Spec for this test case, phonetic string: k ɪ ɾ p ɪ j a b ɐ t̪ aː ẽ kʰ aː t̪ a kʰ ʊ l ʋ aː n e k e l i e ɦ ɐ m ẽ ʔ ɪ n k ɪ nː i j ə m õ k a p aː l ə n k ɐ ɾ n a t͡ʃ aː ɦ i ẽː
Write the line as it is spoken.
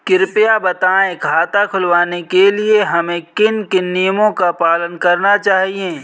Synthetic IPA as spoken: k ɪ ɾ p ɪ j a b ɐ t̪ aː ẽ kʰ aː t̪ a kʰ ʊ l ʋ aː n e k e l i e ɦ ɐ m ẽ k ɪ n k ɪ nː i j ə m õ k a p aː l ə n k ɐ ɾ n a t͡ʃ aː ɦ i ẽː

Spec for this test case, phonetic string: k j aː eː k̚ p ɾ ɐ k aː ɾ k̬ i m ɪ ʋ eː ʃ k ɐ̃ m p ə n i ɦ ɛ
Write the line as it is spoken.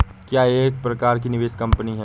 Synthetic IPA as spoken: k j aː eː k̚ p ɾ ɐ k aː ɾ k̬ i n ɪ ʋ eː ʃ k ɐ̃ m p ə n i ɦ ɛ

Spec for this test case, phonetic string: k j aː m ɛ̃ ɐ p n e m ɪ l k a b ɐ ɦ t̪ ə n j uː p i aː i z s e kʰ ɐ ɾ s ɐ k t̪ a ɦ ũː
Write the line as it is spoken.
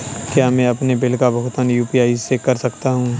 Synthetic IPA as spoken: k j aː m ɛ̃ ɐ p n e b ɪ l k a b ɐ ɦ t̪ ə n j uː p i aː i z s e k ɐ ɾ s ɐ k t̪ a ɦ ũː

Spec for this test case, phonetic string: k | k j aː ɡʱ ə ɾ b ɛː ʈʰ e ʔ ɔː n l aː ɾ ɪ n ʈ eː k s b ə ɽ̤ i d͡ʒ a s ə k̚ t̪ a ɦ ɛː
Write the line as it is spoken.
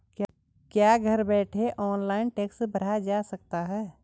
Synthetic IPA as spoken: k | k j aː ɡʱ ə ɾ b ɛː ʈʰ e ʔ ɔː n l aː ɪ n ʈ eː k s b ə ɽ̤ a d͡ʒ a s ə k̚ t̪ a ɦ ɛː

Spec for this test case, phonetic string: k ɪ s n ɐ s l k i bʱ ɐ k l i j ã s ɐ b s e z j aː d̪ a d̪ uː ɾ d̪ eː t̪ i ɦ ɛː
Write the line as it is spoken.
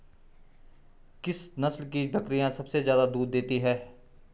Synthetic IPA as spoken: k ɪ s n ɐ s l k i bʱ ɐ k ɾ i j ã s ɐ b s e z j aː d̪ a d̪ uː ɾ d̪ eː t̪ i ɦ ɛː

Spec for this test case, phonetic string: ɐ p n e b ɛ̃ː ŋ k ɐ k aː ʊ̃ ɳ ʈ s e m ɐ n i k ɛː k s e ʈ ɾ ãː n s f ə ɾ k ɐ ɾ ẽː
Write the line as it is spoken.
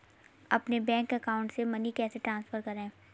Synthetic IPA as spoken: ɐ p n e b ɛ̃ː ŋ k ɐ k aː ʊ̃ ɳ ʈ s e m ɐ n i k ɛː s e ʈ ɾ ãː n s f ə ɾ k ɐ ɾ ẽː

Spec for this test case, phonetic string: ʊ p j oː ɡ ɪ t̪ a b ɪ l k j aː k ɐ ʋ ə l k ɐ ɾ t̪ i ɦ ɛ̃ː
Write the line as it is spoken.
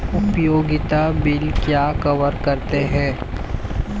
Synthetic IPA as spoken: ʊ p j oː ɡ ɪ t̪ a b ɪ l k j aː k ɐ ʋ ə ɾ k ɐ ɾ t̪ e ɦ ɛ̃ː

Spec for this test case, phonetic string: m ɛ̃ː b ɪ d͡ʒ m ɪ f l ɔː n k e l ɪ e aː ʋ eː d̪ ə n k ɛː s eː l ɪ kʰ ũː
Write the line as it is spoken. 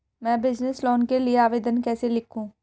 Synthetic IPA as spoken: m ɛ̃ː b ɪ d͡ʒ n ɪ s l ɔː n k e l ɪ e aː ʋ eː d̪ ə n k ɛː s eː l ɪ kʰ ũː

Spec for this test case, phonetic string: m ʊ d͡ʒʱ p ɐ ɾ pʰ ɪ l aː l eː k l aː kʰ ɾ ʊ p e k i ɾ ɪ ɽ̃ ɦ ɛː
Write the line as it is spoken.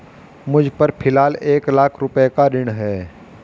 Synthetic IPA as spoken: m ʊ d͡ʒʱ p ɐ ɾ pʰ ɪ l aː l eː k l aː kʰ ɾ ʊ p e k a ɾ ɪ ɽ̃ ɦ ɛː

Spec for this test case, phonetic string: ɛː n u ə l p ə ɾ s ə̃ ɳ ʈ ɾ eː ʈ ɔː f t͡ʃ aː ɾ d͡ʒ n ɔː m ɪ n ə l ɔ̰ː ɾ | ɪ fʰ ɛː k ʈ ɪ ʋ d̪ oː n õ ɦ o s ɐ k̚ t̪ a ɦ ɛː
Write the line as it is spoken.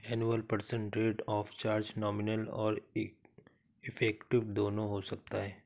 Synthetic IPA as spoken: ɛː n u ə l p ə ɾ s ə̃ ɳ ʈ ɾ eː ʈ ɔː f t͡ʃ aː ɾ d͡ʒ n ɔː m ɪ n ə l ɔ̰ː ɾ | ɪ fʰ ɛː k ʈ ɪ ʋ d̪ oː n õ ɦ o s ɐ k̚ t̪ a ɦ ɛː

